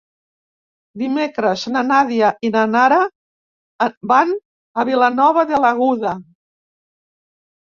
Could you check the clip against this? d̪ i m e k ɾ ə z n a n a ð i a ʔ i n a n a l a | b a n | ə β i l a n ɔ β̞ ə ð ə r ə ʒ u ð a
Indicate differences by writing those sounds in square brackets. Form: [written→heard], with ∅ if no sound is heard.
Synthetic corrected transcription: d̪ i m e k ɾ ə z n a n a ð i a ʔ i n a n a [l→ɾ] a | b a n | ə β i l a n ɔ β̞ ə ð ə [r→l] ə [ʒ→ɣ] u ð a